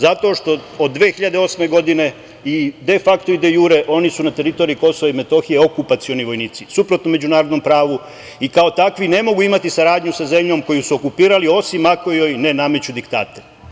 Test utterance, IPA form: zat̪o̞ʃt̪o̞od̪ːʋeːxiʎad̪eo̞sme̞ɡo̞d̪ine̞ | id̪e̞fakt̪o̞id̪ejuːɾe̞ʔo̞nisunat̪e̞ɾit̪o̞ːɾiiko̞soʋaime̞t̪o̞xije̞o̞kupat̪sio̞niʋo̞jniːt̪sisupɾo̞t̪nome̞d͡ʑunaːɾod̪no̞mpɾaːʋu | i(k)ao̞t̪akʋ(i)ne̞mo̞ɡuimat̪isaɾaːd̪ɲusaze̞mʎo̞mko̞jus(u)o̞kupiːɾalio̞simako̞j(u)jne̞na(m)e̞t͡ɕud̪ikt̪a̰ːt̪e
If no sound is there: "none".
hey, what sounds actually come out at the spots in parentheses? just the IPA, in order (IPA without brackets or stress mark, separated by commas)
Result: k, i, u, o, m